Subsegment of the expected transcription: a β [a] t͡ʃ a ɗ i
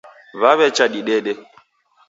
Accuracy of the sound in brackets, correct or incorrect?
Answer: incorrect